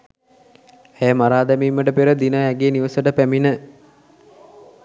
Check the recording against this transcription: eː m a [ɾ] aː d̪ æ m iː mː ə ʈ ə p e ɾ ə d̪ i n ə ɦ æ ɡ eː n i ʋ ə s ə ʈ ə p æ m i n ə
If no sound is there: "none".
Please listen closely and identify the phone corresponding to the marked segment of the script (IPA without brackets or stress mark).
ɾ